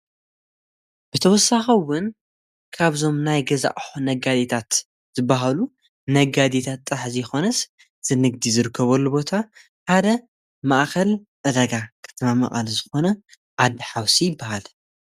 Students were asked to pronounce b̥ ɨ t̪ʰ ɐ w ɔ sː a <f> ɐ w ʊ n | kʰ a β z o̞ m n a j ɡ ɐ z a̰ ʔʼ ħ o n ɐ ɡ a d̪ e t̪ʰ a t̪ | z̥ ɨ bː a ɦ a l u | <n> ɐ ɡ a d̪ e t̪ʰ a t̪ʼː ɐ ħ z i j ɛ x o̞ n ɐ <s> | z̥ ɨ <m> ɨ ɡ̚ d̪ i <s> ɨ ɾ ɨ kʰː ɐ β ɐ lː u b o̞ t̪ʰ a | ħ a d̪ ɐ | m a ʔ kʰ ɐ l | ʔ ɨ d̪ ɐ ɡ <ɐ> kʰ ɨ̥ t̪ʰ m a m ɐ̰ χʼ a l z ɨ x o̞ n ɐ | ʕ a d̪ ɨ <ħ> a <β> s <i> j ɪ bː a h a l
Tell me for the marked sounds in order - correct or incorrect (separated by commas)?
incorrect, correct, correct, incorrect, incorrect, incorrect, correct, incorrect, correct